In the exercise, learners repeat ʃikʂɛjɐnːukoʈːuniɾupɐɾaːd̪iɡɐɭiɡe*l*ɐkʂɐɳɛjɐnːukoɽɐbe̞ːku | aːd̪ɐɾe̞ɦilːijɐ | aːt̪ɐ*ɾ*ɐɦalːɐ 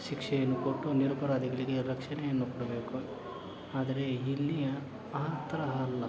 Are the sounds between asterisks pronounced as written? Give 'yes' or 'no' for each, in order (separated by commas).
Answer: no, yes